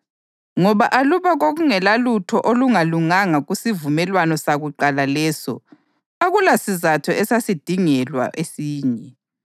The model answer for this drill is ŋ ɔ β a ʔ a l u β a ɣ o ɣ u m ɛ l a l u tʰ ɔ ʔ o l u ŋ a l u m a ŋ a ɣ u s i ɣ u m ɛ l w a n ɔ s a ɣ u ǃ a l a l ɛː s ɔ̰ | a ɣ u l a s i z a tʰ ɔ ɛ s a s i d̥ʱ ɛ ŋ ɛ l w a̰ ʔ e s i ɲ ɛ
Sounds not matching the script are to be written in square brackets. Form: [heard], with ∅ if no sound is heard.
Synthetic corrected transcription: ŋ ɔ β a ʔ a l u β a ɣ o ɣ u [ŋ] ɛ l a l u tʰ ɔ ʔ o l u ŋ a l u [ŋ] a ŋ a ɣ u s i [v] u m ɛ l w a n ɔ s a ɣ u ǃ a l a l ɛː s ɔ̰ | a ɣ u l a s i z a tʰ ɔ ɛ s a s i d̥ʱ [i] ŋ ɛ l w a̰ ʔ e s [iː] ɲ ɛ